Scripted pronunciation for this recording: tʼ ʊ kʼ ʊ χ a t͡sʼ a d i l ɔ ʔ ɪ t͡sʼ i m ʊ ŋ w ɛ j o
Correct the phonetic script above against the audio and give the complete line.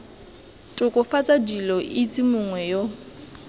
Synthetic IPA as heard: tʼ ʊ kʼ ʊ f a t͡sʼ a d i l ɔ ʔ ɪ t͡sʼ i m ʊ ŋ w ɛ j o